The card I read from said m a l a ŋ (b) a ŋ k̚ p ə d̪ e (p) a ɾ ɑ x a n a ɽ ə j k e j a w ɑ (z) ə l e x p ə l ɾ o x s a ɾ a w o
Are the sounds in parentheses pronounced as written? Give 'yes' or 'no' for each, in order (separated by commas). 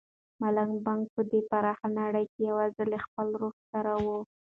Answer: yes, yes, yes